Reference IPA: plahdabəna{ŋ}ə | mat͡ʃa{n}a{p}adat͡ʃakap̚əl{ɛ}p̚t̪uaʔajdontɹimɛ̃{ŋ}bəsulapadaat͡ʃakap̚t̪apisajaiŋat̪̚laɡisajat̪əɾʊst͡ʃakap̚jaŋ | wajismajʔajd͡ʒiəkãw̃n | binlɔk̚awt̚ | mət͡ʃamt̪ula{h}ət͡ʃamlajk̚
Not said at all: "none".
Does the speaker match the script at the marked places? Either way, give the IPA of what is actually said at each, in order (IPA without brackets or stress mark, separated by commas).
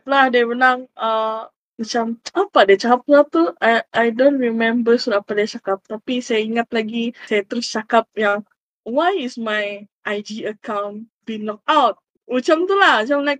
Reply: ŋ, m, p, a, m, h